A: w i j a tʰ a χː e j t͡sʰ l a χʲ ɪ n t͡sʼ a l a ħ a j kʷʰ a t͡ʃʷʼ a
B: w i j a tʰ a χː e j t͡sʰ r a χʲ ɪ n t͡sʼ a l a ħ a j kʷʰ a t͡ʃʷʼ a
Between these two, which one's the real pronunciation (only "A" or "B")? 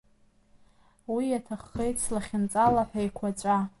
A